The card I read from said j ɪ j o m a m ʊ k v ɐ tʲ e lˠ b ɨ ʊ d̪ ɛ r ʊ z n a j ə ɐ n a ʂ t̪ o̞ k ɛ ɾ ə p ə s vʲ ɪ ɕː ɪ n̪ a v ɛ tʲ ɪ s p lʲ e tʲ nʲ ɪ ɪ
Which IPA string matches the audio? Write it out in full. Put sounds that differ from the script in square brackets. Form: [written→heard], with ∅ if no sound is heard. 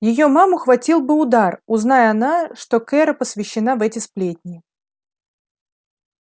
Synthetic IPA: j ɪ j o m a m ʊ [k→x] v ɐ tʲ [e→i] lˠ b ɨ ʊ d̪ [ɛ→a] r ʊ z n a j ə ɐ n a ʂ t̪ o̞ k ɛ ɾ ə p ə s vʲ ɪ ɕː ɪ n̪ a v ɛ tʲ ɪ s p lʲ e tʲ nʲ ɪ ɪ